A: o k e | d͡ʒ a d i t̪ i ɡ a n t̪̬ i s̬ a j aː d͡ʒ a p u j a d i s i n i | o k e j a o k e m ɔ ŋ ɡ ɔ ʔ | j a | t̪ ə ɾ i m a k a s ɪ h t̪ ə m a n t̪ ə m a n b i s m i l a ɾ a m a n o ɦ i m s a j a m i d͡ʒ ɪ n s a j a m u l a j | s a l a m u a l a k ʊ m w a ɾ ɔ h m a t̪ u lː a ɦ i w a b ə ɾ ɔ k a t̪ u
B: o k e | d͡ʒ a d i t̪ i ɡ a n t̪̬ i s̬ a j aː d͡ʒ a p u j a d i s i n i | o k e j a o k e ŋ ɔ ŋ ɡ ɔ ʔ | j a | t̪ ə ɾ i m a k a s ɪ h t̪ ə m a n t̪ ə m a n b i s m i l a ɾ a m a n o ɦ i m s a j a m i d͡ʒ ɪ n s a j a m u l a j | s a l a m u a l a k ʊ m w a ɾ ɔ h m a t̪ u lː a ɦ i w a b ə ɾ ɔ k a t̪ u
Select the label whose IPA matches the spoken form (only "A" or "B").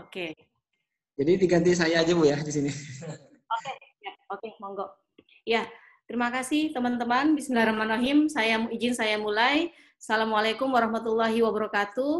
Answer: A